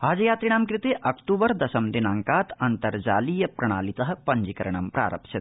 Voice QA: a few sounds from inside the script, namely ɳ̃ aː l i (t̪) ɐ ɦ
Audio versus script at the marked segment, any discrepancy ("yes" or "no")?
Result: no